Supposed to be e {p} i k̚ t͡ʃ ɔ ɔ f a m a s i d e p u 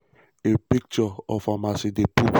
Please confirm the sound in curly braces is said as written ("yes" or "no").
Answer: yes